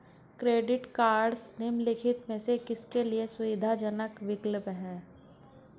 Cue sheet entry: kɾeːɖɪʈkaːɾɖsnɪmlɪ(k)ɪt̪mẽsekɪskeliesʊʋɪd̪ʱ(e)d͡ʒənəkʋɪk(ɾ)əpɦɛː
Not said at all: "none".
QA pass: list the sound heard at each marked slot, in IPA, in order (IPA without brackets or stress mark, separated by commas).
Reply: kʰ, a, l